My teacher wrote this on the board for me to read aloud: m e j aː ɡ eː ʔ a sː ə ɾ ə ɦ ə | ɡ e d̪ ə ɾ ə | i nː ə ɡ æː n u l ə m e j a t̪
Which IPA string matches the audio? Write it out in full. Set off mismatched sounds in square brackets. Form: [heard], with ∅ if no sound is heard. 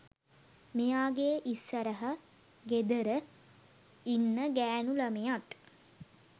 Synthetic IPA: m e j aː ɡ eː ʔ [i] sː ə ɾ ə ɦ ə | ɡ e d̪ ə ɾ ə | i nː ə ɡ æː n u l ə m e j a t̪